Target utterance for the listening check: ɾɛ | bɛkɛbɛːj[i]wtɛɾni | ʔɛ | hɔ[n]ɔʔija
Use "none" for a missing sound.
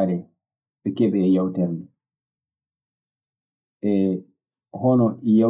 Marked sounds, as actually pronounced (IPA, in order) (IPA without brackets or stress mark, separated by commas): a, n